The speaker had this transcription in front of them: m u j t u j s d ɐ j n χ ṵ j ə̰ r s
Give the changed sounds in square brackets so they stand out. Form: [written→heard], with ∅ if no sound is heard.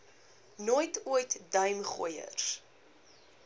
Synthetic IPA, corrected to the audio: [m→n] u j t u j [s→t] d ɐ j [n→m] χ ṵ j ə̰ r s